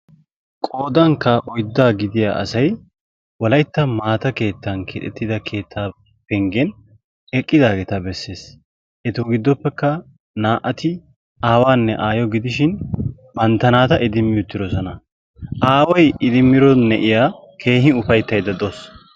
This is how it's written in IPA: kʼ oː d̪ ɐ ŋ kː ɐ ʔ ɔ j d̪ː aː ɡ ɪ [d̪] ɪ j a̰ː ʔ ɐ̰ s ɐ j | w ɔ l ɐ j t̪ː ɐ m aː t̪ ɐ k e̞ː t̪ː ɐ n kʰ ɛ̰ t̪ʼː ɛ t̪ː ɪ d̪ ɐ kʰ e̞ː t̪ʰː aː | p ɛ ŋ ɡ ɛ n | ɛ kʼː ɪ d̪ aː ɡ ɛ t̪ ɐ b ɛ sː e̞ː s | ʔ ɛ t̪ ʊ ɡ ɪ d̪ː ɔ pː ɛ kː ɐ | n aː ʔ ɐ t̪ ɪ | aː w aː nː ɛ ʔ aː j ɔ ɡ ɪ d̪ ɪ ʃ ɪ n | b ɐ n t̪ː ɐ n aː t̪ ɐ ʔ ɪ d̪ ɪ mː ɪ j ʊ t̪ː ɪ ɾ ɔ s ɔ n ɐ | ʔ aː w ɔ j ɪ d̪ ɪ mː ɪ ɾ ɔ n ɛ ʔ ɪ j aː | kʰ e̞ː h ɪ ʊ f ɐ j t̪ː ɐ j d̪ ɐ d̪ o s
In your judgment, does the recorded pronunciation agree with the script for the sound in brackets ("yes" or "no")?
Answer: yes